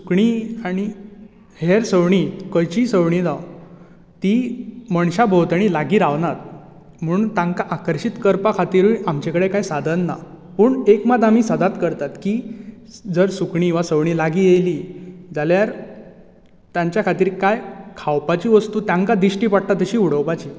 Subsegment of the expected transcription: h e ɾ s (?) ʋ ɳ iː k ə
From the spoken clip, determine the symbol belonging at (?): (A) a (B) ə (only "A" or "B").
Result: B